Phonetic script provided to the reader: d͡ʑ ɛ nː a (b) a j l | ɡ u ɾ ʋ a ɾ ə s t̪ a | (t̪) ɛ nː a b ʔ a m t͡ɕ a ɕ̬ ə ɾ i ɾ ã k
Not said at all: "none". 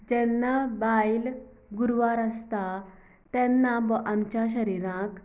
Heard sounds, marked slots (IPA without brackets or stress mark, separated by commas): b, t̪